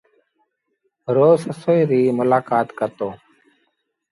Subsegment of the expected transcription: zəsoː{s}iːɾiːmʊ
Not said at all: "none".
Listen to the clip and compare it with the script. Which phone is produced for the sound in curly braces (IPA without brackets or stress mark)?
none